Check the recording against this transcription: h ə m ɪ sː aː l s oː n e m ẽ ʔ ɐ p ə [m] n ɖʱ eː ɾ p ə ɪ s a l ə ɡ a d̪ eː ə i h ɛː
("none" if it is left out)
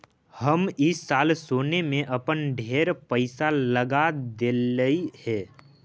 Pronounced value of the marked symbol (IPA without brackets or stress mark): none